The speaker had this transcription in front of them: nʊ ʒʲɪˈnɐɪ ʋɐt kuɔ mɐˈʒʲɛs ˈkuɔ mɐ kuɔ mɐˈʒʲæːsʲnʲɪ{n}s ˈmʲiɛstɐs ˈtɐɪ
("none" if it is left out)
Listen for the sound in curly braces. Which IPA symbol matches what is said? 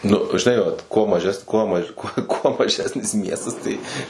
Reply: none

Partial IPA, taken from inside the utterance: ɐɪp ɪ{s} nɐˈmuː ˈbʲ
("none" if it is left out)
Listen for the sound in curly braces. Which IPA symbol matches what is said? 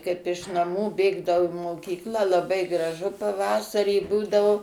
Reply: ʃ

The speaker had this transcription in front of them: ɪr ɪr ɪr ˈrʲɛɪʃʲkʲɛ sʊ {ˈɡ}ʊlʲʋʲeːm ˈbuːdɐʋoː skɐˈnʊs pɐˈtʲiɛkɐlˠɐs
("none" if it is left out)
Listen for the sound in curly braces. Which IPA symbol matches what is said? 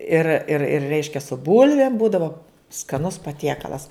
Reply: b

